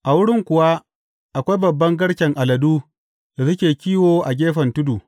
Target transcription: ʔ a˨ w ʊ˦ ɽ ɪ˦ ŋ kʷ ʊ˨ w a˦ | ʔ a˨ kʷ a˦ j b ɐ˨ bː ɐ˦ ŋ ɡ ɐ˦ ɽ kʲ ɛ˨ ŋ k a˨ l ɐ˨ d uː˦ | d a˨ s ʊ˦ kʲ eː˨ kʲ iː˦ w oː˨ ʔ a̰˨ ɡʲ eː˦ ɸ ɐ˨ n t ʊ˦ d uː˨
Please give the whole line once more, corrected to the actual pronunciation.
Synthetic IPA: ʔ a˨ w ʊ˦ ɽ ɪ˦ ŋ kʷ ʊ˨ w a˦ | ʔ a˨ kʷ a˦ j b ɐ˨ bː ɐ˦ ŋ ɡ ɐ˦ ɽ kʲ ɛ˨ ŋ ʔ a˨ l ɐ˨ d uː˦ | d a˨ s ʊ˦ kʲ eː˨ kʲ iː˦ w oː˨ ʔ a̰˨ ɡʲ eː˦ ɸ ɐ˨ n t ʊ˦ d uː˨